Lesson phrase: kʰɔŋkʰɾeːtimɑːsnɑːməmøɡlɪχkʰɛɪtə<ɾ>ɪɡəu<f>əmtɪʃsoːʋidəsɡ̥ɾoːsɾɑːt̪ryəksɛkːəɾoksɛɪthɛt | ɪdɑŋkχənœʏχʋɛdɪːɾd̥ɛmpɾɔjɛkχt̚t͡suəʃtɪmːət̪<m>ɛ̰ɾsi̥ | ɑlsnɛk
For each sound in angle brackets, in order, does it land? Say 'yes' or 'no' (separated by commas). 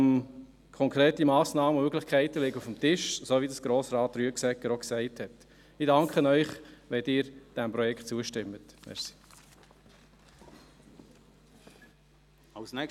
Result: no, yes, yes